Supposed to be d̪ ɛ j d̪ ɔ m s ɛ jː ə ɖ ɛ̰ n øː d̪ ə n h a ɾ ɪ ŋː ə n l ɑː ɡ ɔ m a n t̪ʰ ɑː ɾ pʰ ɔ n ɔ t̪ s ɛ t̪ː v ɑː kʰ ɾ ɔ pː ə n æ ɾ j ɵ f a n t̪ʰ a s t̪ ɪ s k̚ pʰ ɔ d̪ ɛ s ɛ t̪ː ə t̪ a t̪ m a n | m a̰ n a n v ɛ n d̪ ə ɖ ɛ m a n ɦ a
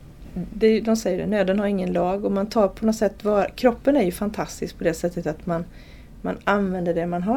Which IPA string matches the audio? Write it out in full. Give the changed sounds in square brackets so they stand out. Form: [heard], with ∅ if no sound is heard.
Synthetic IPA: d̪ ɛ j d̪ ɔ m s ɛ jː ə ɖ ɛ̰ n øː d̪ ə n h a ɾ ɪ ŋː ə n l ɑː ɡ ɔ m a n t̪ʰ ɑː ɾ pʰ ɔ n ɔ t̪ s ɛ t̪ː v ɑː kʰ ɾ ɔ pː ə n æ ɾ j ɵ f a n t̪ʰ a s t̪ ɪ s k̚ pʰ ɔ d̪ ɛ s ɛ t̪ː ə t̪ a t̪ m a n | m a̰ n a n v ɛ n d̪ ə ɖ ɛ m a n ɦ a